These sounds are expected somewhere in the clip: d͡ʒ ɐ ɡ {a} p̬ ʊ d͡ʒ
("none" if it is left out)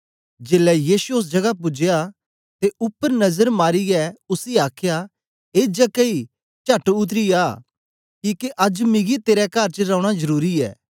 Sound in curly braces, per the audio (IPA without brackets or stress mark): a